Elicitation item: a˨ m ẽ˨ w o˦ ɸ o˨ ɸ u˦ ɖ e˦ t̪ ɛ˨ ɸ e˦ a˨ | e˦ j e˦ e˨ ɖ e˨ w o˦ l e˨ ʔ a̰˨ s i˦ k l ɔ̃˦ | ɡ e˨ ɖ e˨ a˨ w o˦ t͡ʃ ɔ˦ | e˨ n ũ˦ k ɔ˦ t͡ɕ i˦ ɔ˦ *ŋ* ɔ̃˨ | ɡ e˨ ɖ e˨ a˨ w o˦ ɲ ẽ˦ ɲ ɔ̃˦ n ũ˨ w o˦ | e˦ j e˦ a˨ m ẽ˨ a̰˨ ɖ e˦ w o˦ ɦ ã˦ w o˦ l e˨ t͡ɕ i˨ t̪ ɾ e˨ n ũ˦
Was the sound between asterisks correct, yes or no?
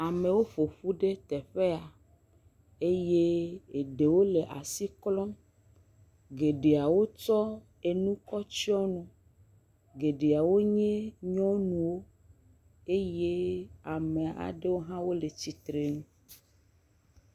no